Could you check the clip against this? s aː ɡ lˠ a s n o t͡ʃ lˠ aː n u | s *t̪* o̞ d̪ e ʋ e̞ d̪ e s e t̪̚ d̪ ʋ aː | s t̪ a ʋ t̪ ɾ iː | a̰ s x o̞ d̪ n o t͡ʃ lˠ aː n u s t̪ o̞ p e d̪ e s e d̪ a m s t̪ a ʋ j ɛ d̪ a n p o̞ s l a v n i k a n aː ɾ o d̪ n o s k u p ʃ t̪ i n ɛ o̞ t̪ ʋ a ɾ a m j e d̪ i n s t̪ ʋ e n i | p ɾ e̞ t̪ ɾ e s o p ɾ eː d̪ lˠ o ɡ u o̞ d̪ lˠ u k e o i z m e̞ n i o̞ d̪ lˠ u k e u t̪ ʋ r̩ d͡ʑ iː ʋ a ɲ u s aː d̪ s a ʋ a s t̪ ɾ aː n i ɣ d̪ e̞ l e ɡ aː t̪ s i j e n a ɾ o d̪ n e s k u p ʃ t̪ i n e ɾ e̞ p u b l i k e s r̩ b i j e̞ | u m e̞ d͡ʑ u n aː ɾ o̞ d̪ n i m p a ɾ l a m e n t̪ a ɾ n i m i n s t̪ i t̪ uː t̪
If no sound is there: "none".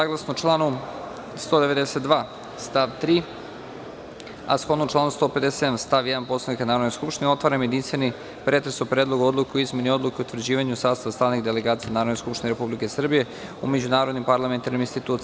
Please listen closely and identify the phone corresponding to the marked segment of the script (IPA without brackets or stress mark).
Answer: t̪